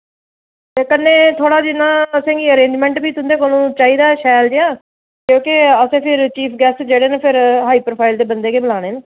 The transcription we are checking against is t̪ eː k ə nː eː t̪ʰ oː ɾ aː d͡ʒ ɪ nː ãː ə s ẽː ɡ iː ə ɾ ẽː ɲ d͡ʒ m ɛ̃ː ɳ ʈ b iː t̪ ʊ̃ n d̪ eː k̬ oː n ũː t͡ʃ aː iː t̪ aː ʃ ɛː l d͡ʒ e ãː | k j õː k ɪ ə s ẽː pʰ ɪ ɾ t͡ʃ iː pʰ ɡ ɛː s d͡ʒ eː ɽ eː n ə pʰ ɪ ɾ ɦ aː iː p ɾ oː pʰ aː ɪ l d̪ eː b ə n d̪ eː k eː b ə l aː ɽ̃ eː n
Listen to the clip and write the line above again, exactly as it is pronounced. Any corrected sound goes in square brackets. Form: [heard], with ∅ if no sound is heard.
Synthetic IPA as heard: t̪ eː k ə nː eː t̪ʰ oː [ɽ] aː d͡ʒ ɪ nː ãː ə s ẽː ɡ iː ə ɾ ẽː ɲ d͡ʒ m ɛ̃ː ɳ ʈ b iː t̪ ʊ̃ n d̪ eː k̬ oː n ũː t͡ʃ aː iː [d̪] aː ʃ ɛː l d͡ʒ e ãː | k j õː k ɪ ə s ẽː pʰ ɪ ɾ t͡ʃ iː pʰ ɡ ɛː s d͡ʒ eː ɽ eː n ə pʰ ɪ ɾ ɦ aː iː p ɾ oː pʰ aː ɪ l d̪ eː b ə n d̪ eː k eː b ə l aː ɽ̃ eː n